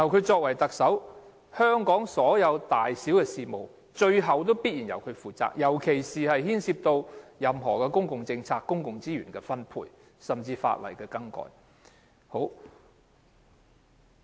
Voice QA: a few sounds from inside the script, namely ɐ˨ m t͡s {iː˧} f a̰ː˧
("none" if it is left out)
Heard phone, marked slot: iː˧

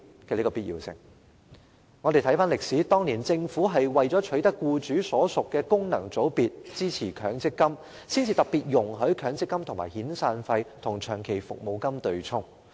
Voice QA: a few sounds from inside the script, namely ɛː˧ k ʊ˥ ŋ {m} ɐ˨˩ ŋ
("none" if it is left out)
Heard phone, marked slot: n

